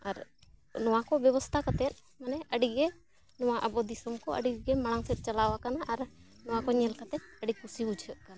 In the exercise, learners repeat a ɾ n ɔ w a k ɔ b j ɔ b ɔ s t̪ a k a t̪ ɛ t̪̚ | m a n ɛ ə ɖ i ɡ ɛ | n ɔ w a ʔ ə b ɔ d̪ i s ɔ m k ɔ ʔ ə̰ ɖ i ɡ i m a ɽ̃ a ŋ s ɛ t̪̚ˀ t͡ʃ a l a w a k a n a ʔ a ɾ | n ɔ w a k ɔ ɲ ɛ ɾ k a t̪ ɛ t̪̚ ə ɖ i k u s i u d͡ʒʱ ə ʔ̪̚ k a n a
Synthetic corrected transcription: a ɾ n ɔ w a k ɔ b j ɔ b ɔ s t̪ʰ a k a t̪ ɛ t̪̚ | m a n ɛ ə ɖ i ɡ ɛ | n ɔ w a ʔ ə b ɔ d̪ i s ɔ m k ɔ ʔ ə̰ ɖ i ɡ ɛ m a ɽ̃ a ŋ s ɛ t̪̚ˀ t͡ʃ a l a w a k a n a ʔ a ɾ | n ɔ w a k ɔ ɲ ɛ l k a t̪ ɛ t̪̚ ə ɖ i k u s i u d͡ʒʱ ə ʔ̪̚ k a n a